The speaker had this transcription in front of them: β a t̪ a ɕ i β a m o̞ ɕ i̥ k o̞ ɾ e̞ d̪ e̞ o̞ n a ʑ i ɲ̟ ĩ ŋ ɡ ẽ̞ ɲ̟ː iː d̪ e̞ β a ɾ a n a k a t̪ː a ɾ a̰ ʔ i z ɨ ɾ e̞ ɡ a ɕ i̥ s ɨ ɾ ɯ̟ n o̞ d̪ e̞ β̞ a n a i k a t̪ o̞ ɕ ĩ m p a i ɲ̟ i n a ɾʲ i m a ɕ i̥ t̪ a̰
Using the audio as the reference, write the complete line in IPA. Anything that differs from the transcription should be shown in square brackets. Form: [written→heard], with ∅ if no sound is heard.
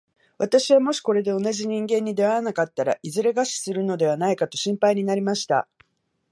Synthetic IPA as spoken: β a t̪ a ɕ i β a m o̞ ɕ i̥ k o̞ ɾ e̞ d̪ e̞ o̞ n a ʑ i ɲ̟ ĩ ŋ ɡ ẽ̞ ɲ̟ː [iː→i] d̪ e̞ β a ɾ a n a k a t̪ː a ɾ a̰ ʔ i z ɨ ɾ e̞ ɡ a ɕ i̥ s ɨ ɾ ɯ̟ n o̞ d̪ e̞ β̞ a n a i k a t̪ o̞ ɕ ĩ m p a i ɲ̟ i n a ɾʲ i m a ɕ i̥ t̪ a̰